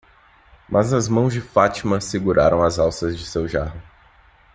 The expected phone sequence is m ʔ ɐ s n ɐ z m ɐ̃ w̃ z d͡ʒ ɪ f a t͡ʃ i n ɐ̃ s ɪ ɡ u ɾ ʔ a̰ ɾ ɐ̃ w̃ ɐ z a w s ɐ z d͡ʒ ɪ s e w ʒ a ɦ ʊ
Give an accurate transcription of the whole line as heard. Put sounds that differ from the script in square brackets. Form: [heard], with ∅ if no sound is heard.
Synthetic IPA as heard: m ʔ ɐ [z] n ɐ z m ɐ̃ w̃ z d͡ʒ ɪ f a t͡ʃ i [m] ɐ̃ s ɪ ɡ u ɾ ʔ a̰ ɾ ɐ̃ w̃ ɐ z a w s ɐ z d͡ʒ ɪ s e w ʒ a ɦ ʊ